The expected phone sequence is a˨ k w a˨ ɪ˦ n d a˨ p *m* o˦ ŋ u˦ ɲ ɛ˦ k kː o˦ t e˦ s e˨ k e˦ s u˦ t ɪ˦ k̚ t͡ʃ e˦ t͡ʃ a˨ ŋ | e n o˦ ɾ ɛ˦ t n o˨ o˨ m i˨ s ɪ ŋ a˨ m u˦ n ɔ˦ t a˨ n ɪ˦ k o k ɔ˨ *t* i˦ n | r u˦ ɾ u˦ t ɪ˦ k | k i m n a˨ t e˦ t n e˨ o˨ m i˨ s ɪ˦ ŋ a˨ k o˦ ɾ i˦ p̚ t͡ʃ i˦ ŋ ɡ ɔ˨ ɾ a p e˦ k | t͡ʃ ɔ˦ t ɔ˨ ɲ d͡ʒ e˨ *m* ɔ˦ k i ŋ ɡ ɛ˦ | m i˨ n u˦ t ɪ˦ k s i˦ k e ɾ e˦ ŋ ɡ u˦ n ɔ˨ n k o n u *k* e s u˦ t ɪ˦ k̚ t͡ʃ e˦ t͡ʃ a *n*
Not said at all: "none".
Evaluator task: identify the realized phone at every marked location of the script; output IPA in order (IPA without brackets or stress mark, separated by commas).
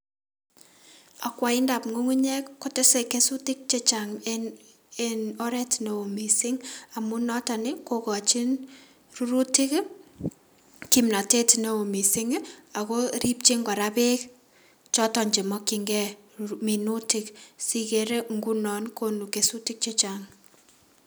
ŋ, t͡ʃ, m, k, ŋ